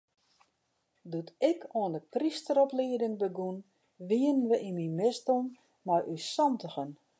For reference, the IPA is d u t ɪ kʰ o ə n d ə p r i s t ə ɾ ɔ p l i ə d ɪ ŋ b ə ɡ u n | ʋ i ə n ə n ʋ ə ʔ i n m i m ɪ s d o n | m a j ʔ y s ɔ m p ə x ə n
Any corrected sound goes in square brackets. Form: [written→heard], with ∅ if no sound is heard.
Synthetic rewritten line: d u t ɪ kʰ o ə n d ə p r i s t ə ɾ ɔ p l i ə d ɪ ŋ b ə ɡ u n | ʋ i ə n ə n ʋ ə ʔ i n m i m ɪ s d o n | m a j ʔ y s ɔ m [p→t] ə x ə n